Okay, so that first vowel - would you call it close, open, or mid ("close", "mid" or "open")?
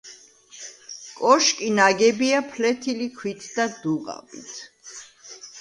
mid